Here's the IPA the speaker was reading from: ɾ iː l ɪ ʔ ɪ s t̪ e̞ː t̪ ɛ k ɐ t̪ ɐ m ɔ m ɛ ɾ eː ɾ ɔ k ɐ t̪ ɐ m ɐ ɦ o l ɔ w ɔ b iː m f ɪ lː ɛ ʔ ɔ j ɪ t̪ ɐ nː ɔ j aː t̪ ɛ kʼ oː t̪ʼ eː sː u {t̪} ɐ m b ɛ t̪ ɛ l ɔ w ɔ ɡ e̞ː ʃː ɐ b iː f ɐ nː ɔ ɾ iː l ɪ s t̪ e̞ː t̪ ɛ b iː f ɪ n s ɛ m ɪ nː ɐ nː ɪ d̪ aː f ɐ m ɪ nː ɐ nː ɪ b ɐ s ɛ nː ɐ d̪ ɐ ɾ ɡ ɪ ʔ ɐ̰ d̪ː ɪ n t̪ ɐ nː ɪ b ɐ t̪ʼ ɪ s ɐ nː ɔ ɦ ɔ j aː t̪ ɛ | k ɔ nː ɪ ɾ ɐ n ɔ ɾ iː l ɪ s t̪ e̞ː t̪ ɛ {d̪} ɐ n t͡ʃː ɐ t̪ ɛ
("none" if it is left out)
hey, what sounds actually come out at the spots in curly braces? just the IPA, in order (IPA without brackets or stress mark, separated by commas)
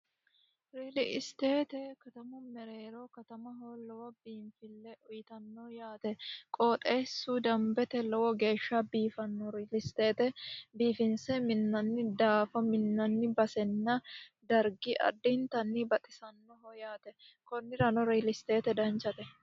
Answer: d̪, d̪